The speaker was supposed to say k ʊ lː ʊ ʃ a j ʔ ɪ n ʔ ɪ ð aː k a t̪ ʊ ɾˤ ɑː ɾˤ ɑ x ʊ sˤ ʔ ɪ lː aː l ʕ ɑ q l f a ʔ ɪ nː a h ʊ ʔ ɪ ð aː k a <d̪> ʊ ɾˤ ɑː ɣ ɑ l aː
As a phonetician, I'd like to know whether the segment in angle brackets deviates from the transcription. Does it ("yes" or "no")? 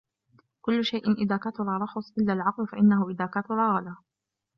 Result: yes